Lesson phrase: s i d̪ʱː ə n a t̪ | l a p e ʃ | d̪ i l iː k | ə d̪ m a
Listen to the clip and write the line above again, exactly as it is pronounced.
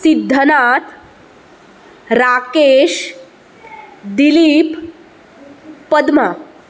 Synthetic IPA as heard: s i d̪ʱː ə n a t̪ | ɾ a k e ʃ | d̪ i l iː p | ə d̪ m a